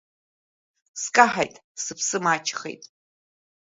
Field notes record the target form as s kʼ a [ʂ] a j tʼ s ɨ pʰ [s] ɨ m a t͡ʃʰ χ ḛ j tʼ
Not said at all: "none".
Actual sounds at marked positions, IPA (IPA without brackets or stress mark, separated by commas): ħ, s